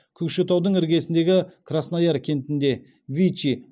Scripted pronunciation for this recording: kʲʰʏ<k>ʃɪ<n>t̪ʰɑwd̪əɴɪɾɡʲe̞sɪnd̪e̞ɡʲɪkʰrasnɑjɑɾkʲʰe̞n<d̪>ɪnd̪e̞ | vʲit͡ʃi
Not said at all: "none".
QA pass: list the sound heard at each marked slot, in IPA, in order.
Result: k, none, t̪

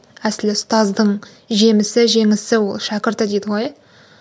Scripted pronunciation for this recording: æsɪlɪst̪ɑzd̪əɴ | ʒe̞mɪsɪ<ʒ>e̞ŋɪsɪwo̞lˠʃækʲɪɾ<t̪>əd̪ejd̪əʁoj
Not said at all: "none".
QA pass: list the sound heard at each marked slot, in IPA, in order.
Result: ʒ, t̪

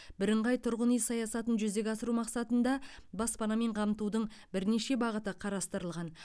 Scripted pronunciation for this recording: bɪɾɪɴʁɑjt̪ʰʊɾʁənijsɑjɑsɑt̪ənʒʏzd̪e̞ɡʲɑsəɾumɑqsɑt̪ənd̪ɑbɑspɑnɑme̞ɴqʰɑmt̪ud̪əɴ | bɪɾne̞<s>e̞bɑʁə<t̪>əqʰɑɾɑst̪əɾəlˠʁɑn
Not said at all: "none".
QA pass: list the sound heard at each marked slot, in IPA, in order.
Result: ʃ, t̪

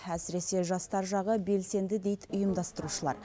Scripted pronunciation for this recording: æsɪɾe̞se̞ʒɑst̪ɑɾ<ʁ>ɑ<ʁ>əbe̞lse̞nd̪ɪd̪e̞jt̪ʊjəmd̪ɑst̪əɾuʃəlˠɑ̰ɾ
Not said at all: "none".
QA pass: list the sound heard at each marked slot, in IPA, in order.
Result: ʒ, ʁ

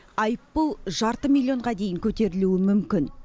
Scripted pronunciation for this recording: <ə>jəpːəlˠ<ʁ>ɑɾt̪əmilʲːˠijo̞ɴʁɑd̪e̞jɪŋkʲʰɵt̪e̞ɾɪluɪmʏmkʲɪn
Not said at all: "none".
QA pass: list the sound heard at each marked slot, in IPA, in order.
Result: ɑ, ʒ

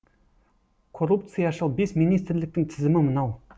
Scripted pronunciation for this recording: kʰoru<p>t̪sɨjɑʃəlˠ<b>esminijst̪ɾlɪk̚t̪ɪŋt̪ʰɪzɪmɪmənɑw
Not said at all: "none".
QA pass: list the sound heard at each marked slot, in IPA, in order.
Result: p, b

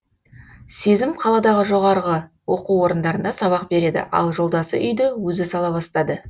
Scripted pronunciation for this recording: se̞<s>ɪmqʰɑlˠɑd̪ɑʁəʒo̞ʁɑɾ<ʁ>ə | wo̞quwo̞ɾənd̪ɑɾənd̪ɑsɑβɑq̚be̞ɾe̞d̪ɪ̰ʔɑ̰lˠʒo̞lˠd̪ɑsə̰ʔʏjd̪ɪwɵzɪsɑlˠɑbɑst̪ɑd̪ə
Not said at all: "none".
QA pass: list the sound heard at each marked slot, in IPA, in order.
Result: z, ʁ

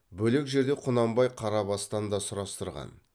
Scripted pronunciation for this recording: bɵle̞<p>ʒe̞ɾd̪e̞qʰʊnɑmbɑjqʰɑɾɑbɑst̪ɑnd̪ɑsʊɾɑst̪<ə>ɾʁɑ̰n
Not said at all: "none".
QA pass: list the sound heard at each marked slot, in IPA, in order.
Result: k, ə

